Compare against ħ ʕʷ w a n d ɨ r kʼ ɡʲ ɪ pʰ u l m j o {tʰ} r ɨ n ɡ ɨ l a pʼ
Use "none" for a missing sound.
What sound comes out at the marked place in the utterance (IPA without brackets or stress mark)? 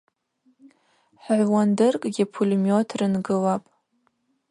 tʰ